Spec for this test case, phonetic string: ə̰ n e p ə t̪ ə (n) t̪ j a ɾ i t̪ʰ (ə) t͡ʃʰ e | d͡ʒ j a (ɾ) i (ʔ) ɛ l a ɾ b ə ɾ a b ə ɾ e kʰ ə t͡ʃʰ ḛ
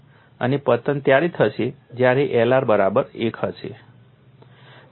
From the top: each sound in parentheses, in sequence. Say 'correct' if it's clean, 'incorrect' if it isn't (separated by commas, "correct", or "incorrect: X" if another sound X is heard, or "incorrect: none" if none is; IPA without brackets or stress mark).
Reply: correct, correct, correct, correct